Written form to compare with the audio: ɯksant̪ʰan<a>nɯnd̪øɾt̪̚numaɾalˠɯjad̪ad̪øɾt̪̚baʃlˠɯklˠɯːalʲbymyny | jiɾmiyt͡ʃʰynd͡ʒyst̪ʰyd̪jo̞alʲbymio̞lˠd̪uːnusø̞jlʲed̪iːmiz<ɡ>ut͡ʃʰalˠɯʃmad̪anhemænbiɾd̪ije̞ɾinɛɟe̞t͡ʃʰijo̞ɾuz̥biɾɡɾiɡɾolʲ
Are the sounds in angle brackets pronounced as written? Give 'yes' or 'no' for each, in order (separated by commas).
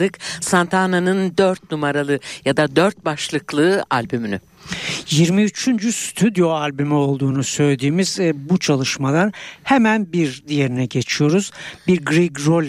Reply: yes, no